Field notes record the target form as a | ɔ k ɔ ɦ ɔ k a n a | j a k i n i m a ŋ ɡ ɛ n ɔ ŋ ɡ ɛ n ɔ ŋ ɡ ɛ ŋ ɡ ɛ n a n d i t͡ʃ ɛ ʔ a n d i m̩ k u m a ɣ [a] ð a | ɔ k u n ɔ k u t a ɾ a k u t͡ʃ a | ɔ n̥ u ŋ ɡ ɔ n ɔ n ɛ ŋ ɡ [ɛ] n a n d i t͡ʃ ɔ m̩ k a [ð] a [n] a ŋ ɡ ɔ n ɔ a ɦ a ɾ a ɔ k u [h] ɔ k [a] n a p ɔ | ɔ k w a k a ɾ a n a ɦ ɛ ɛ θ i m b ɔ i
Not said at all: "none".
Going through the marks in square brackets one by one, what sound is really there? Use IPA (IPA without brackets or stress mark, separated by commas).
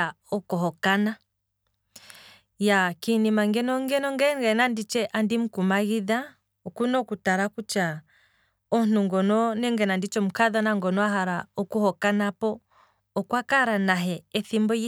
i, ɛ, ð, n, h, a